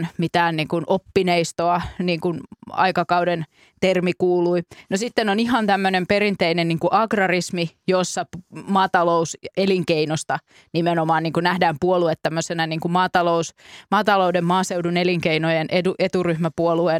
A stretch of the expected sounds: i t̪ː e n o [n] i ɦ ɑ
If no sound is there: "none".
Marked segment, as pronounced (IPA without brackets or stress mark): n